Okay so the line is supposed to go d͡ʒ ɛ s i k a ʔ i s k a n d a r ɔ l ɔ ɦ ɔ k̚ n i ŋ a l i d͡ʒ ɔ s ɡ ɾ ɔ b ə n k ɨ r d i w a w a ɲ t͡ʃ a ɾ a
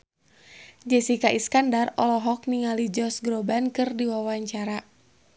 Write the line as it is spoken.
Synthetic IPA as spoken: d͡ʒ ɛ s i k a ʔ i s k a n d a r ɔ l ɔ ɦ ɔ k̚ n i ŋ a l i d͡ʒ ɔ s ɡ ɾ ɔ b a n k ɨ r d i w a w a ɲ t͡ʃ a ɾ a